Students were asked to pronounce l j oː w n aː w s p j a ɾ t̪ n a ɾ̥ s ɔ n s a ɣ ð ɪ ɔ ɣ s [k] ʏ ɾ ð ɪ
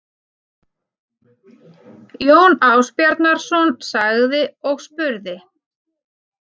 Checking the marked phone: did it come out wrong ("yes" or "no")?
yes